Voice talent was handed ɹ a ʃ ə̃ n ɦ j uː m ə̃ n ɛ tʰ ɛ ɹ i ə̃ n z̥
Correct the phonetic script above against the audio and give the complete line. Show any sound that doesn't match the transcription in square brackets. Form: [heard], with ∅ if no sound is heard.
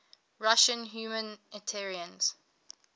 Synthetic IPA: ɹ a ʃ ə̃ n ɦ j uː m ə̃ n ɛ tʰ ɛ ɹ i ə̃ n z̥